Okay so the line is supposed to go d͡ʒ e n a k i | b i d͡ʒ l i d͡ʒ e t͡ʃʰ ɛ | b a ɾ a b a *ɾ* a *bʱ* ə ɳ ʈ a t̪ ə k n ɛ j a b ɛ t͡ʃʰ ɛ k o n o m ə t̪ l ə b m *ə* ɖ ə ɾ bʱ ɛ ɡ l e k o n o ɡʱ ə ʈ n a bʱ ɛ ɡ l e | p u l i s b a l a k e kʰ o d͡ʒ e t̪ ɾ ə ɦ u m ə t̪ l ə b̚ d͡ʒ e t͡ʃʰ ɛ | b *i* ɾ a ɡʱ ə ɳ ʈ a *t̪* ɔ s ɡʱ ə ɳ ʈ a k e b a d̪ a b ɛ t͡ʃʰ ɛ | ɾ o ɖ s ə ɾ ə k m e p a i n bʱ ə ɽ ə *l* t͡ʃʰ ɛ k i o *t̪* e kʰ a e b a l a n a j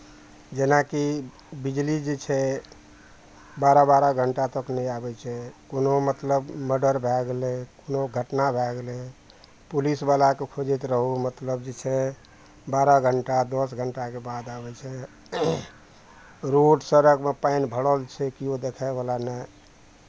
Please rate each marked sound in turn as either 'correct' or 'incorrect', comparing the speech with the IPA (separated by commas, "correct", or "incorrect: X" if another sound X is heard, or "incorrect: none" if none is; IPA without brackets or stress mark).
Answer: correct, incorrect: ɡʱ, correct, incorrect: a, incorrect: d̪, correct, incorrect: d̪